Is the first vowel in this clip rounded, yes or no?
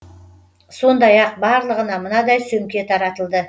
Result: yes